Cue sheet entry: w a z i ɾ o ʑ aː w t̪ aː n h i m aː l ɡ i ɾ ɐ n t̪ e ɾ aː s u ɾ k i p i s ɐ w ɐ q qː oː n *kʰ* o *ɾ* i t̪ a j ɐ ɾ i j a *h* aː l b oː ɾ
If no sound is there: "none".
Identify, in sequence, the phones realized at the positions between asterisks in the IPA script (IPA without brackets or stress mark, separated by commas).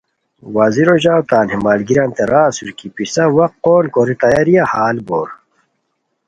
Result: k, ɾ, h